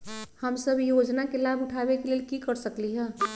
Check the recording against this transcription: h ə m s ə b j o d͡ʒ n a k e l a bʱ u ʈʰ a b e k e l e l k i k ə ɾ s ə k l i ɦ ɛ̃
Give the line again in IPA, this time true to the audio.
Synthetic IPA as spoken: h ə m s ə b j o d͡ʒ n a k e l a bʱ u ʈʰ a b e k e l e l k i k ə ɾ s ə k l i ɦ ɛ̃